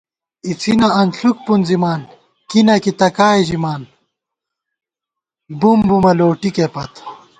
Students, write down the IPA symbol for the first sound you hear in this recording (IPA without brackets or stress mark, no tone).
i